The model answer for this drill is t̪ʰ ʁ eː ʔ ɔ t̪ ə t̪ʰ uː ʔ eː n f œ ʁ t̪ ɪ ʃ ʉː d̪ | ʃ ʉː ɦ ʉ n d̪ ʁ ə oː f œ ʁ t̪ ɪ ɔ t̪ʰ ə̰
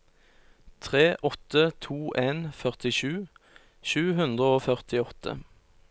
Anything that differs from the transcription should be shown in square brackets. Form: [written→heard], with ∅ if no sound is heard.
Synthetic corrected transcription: t̪ʰ ʁ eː ʔ ɔ t̪ ə t̪ʰ uː ʔ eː n f œ ʁ t̪ ɪ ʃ ʉː [d̪→∅] | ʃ ʉː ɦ ʉ n d̪ ʁ ə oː f œ ʁ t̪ ɪ ɔ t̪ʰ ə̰